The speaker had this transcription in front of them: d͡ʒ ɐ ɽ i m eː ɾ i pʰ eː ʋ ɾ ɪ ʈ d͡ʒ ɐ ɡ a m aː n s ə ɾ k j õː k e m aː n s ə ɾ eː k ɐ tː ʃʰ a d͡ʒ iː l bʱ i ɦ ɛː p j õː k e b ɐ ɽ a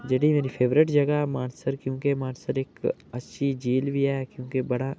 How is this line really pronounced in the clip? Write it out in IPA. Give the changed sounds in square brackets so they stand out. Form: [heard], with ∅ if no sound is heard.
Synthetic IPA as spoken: d͡ʒ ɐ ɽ i m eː ɾ i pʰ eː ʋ ɾ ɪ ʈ d͡ʒ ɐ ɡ a m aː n s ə ɾ k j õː k e m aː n s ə ɾ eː k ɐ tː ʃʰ [i] d͡ʒ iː l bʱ i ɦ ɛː [k] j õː k e b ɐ ɽ a